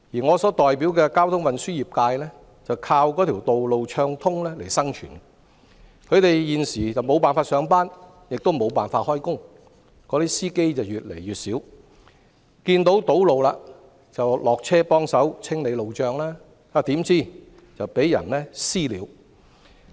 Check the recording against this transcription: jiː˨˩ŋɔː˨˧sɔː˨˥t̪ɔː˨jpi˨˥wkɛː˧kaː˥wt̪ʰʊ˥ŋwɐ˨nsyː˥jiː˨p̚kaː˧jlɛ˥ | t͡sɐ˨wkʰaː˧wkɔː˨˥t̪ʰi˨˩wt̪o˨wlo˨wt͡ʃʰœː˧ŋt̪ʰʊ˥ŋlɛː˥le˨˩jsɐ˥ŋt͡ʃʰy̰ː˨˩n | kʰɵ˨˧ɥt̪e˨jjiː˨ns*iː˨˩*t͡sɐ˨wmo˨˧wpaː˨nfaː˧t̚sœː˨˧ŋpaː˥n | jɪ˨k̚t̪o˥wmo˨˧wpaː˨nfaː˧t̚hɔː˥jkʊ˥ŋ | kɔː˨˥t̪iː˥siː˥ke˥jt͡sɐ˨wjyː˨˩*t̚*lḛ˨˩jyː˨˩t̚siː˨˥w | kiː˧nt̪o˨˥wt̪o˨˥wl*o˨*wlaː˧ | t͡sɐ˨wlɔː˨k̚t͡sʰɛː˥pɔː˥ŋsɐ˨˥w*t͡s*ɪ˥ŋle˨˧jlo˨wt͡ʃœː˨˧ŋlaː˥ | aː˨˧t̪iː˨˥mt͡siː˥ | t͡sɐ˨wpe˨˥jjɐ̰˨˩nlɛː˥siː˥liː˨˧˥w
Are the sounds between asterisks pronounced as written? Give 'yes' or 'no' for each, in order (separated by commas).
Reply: yes, yes, yes, no